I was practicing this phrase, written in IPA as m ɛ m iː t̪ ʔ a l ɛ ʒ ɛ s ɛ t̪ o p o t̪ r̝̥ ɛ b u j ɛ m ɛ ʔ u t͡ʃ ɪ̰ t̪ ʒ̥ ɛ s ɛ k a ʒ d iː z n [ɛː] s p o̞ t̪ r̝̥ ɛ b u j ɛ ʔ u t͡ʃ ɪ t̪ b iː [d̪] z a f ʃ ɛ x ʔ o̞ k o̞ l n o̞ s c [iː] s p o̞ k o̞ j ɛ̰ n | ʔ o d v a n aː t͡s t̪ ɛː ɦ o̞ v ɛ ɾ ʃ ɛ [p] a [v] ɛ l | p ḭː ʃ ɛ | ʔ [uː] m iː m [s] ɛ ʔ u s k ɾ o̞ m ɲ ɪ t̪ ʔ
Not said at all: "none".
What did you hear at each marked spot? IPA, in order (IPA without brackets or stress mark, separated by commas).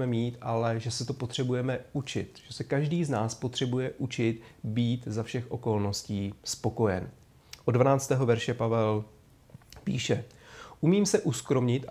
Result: aː, t̪, iː, p, v, u, s